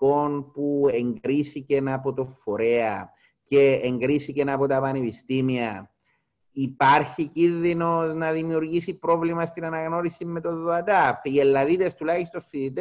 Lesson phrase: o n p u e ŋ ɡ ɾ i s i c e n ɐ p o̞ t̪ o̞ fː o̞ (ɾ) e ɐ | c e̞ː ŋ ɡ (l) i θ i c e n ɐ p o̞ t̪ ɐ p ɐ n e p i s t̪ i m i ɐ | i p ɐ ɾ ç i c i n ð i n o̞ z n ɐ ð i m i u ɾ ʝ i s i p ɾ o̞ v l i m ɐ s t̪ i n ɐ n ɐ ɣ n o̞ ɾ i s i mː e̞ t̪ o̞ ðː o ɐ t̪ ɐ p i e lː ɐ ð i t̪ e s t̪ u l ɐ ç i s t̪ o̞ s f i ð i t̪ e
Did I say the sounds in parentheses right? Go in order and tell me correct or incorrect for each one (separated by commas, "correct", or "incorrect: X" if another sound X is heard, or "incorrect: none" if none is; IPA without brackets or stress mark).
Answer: correct, incorrect: ɾ